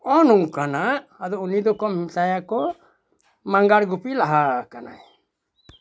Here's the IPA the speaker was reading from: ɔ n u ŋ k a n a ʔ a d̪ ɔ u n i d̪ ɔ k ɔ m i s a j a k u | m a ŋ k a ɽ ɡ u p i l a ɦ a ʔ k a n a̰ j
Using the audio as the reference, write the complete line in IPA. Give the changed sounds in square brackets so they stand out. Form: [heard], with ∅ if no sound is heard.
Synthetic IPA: ɔ n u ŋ k a n a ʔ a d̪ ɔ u n i d̪ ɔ k ɔ m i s a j a k [ɔ] | m a ŋ [ɡ] a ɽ ɡ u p i l a ɦ a [∅] k a n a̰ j